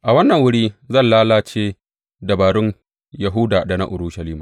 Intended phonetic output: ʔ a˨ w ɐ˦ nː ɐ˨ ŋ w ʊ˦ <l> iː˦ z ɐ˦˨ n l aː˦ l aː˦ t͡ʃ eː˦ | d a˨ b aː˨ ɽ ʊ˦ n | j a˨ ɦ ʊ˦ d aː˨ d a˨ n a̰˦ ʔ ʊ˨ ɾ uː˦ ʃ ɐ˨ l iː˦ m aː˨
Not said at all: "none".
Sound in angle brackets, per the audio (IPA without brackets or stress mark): ɽ